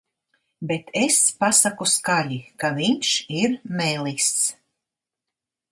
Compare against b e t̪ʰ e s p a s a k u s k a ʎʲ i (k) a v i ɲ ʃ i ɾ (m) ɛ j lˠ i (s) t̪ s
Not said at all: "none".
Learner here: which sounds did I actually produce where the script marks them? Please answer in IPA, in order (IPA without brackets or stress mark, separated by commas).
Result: k, m, s